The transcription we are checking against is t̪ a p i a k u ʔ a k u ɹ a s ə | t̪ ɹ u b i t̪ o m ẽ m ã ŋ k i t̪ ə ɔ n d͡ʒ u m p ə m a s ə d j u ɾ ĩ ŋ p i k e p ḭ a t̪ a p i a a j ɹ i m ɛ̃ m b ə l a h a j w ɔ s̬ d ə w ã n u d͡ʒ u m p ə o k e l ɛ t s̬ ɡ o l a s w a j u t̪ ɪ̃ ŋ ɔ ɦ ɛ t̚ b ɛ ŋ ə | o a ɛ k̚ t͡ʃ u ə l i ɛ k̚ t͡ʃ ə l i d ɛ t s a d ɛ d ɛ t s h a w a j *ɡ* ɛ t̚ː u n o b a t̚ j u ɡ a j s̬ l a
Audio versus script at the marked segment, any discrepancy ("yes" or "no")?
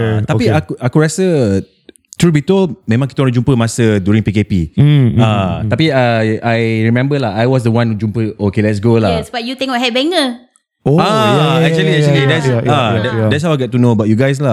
no